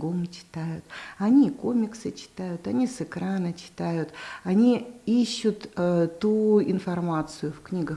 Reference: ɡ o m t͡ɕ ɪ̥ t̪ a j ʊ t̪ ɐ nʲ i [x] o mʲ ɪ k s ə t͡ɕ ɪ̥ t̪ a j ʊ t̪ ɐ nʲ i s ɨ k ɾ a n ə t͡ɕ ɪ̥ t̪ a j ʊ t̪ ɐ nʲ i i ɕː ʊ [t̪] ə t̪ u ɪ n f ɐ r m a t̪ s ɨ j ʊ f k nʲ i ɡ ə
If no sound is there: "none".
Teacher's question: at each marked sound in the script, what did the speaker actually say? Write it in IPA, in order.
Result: k, t̪

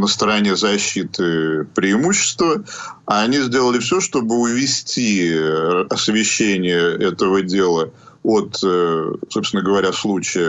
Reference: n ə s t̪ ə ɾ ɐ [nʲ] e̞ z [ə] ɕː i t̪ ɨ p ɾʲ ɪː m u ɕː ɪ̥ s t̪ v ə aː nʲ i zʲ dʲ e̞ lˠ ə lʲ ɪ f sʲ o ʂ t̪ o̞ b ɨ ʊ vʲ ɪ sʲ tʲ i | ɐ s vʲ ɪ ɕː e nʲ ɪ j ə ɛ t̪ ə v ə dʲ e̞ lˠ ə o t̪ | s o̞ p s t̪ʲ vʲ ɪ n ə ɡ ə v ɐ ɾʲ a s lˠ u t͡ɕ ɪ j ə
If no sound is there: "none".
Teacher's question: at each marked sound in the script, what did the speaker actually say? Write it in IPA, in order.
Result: nʲ, ɐ

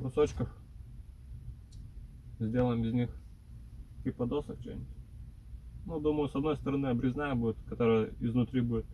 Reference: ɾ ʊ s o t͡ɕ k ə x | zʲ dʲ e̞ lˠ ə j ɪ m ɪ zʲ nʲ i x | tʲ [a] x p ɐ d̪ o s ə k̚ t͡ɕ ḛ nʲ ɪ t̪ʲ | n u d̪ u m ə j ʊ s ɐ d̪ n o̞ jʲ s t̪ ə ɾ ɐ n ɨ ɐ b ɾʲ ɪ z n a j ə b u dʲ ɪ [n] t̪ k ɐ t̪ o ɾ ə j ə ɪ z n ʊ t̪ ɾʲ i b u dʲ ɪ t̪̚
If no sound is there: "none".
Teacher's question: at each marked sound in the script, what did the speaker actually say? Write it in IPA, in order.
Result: i, none

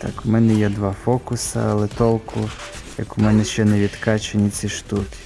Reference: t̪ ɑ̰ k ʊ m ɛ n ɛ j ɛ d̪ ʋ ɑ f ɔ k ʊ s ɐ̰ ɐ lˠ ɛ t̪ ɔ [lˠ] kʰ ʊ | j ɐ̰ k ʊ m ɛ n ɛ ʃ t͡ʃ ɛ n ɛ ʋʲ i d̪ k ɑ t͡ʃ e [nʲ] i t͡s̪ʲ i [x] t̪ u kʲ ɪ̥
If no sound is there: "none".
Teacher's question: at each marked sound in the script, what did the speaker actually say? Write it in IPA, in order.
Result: lˠ, nʲ, ʃ

